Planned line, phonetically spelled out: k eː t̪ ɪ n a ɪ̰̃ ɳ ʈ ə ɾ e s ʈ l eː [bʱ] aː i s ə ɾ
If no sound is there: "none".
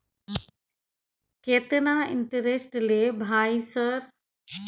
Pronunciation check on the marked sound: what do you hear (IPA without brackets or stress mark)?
bʱ